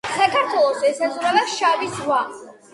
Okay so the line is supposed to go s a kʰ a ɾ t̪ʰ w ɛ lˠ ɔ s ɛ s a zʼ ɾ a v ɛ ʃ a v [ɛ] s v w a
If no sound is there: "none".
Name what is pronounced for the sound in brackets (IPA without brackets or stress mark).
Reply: i